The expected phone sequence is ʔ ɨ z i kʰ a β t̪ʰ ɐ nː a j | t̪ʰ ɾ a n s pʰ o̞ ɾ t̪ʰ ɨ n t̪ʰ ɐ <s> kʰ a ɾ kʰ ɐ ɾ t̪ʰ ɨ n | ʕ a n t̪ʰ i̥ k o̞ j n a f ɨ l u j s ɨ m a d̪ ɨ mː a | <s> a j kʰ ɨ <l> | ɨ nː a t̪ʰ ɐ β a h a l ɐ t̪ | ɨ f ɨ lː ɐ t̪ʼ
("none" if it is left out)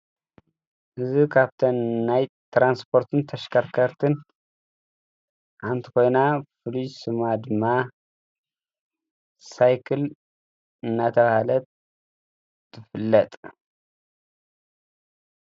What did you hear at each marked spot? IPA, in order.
ʃ, s, l

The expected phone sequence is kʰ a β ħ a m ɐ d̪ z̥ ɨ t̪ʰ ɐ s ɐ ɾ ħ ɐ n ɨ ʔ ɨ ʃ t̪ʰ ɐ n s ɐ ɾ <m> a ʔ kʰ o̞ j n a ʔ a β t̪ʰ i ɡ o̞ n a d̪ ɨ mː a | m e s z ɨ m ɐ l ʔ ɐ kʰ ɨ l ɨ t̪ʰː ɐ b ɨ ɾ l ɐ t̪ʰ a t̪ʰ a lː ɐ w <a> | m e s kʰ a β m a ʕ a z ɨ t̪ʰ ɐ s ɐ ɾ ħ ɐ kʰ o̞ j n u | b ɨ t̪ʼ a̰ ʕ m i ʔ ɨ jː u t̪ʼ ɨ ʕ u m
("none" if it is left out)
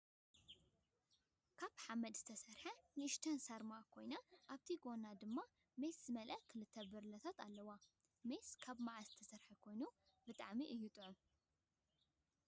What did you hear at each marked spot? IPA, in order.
m, a

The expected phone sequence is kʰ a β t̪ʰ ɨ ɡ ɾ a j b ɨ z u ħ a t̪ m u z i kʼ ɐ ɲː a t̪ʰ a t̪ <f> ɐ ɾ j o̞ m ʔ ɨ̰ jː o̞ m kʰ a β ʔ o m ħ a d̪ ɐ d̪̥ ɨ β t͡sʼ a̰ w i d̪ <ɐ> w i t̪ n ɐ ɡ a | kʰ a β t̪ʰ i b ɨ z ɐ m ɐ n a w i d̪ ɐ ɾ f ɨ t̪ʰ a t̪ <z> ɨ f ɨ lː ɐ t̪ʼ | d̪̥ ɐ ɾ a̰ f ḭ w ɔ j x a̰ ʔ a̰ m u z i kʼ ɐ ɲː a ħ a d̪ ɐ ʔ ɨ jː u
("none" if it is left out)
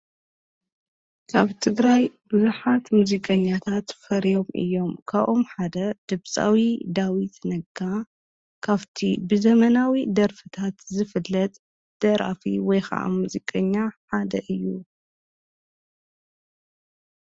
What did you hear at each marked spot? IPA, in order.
f, a, z

